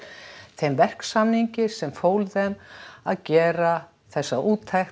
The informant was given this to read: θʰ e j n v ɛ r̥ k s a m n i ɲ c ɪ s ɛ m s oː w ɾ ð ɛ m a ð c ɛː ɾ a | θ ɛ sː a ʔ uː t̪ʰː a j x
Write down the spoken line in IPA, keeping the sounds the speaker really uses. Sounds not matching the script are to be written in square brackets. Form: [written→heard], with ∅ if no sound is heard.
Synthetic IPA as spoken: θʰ e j [n→m] v ɛ r̥ k s a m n i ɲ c ɪ s ɛ m [s→f] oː w [ɾ→l] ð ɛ m a ð c ɛː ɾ a | θ ɛ sː a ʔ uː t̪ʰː a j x